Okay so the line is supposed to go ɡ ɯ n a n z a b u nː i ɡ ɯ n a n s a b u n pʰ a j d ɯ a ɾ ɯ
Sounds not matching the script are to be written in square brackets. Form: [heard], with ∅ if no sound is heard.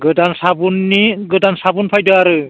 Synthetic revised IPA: ɡ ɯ [d] a n [s] a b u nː i ɡ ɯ [d] a n s a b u n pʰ a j d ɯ a ɾ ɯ

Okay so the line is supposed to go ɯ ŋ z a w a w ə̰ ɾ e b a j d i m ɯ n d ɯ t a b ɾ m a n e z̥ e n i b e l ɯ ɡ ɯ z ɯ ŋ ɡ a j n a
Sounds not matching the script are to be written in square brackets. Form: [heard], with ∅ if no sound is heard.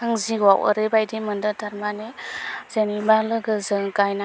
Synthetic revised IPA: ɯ ŋ z [i] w a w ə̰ ɾ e b a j d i m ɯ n d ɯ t a [∅] ɾ m a n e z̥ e n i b [a] l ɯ ɡ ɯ z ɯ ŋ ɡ a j n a

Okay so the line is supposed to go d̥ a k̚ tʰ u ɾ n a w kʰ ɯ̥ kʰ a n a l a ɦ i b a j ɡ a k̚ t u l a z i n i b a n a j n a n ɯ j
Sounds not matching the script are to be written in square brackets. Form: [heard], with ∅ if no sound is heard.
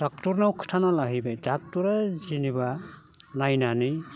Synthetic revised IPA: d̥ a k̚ [t] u ɾ n a w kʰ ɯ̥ [tʰ] a n a l a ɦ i b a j [d] a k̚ t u [ɾ] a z i n i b a n a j n a n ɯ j

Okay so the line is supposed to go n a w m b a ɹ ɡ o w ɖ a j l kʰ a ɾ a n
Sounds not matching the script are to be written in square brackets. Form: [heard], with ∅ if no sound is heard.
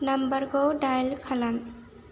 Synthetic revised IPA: n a [∅] m b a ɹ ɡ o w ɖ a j l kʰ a [l] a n

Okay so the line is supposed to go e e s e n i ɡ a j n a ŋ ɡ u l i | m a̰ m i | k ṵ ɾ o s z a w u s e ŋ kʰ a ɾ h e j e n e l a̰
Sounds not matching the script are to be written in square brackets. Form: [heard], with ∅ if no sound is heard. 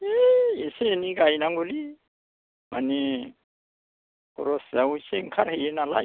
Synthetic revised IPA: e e s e n i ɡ a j n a ŋ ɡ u l i | m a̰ [n] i | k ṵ ɾ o s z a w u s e ŋ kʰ a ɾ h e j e n [a] l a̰

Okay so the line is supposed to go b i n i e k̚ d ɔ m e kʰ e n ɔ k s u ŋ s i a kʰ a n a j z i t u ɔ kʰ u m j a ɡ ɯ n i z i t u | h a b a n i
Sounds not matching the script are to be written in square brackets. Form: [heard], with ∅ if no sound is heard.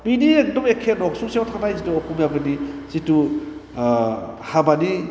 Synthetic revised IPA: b i n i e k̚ d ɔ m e kʰ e n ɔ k s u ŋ s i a [tʰ] a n a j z i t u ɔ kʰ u m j a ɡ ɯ n i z i t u | h a b a n i

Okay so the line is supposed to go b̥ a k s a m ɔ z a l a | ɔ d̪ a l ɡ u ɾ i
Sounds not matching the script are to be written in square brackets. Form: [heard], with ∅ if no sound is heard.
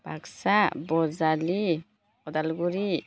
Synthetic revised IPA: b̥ a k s a [b] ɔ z a l [i] | ɔ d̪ a l ɡ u ɾ i

